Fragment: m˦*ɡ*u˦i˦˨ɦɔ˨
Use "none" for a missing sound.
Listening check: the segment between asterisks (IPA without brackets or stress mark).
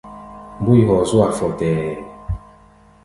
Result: b